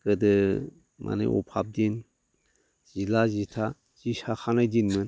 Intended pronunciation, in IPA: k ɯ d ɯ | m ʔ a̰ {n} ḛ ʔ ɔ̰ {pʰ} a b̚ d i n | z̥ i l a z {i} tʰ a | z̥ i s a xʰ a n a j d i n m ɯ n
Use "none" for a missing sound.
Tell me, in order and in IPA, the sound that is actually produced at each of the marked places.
n, pʰ, i

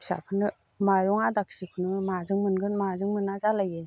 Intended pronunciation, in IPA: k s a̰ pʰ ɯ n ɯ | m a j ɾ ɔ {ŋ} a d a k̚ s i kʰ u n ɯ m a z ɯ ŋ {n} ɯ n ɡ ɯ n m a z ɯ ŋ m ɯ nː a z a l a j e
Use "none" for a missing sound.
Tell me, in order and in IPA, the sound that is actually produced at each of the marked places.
ŋ, m

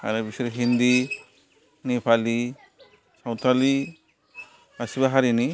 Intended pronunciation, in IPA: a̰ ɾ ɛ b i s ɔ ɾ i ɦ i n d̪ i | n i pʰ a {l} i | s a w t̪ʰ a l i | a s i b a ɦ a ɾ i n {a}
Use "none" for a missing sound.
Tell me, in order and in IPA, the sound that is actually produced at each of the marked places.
l, i

